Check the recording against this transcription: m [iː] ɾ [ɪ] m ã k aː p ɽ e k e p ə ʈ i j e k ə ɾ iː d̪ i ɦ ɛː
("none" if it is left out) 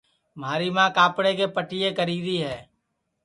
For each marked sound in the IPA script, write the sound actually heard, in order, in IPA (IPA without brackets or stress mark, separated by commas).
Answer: aː, i